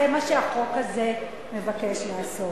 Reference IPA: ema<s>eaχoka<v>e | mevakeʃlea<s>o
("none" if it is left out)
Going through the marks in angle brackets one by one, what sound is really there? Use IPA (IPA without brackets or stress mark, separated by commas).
ʃ, z, s